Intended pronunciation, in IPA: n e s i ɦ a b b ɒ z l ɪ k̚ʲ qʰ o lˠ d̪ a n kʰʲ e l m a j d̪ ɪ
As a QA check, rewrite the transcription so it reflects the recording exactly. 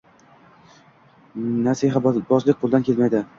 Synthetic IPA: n a s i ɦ a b b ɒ z l ɪ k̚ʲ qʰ o lˠ d̪ a n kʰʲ e l m a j d̪ ɪ